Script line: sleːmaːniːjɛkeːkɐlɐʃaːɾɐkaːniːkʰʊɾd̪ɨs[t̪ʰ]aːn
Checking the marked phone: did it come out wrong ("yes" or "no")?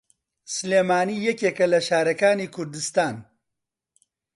yes